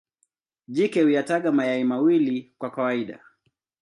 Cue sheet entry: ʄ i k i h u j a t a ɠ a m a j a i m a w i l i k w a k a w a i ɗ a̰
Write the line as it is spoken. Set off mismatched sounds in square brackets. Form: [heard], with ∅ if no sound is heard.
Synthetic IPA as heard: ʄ i k [ɛ] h u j a t a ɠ a m a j a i m a w i l i k w a k a w a i ɗ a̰